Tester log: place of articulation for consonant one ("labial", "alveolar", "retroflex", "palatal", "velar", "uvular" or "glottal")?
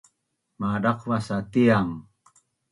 labial